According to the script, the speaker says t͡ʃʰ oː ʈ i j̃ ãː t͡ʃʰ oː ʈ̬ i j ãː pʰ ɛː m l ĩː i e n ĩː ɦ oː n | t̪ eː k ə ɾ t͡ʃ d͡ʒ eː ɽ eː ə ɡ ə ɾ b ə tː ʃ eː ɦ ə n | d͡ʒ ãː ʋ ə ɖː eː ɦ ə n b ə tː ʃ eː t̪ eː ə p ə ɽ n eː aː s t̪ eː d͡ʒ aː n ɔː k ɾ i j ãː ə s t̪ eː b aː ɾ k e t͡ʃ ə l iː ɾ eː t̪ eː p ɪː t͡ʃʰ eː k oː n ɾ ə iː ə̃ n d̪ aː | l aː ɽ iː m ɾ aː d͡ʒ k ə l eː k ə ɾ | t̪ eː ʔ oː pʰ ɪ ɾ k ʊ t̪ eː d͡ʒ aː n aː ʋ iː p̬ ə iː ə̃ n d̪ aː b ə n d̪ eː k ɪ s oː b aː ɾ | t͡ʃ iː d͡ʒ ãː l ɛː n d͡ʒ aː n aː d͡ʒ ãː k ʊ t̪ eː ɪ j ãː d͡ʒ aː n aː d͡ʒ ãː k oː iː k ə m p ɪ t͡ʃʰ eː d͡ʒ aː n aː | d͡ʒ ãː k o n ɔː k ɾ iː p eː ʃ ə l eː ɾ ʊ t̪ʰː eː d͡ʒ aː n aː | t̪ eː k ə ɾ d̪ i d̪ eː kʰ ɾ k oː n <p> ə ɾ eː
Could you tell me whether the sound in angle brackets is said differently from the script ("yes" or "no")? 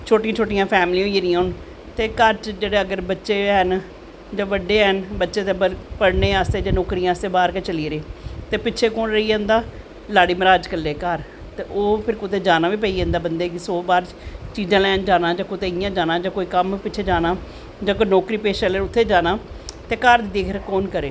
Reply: yes